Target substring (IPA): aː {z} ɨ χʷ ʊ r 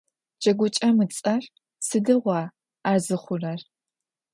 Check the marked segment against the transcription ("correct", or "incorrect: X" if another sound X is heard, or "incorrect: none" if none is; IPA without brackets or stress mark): correct